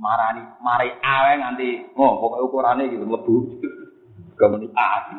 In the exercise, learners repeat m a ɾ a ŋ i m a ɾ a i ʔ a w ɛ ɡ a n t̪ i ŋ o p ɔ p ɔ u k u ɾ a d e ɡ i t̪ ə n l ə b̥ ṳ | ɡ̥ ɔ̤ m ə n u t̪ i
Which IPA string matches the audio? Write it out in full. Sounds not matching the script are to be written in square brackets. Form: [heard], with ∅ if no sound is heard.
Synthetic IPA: m a ɾ a [n] i m a ɾ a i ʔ a w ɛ [ŋ] a n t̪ i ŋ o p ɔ [k] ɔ u k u ɾ a [n] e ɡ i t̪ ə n l ə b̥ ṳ | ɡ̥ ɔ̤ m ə n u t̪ [a]